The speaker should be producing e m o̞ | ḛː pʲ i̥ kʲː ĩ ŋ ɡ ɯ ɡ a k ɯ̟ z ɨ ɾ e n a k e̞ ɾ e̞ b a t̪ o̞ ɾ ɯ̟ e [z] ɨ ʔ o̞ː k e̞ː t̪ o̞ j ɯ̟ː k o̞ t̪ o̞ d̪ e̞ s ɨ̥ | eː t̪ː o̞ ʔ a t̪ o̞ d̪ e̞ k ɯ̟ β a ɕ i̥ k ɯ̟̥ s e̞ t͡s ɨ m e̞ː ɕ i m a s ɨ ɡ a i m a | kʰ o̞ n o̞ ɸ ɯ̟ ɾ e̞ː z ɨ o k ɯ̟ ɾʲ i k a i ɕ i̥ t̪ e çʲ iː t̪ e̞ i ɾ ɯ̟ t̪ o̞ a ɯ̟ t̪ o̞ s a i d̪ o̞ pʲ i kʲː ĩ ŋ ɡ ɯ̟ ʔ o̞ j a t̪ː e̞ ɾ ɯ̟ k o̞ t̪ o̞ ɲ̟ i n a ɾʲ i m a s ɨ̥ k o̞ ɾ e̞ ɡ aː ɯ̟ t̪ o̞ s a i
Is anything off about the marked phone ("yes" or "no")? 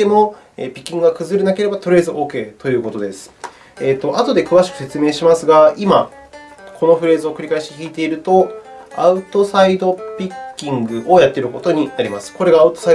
no